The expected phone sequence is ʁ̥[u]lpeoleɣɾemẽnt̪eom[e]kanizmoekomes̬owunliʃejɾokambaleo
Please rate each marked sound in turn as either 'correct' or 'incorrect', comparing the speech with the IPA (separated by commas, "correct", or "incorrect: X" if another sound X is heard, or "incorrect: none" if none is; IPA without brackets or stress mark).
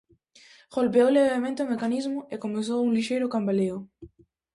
incorrect: o, correct